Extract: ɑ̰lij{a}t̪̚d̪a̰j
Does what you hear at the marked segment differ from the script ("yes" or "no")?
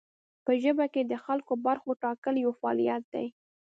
no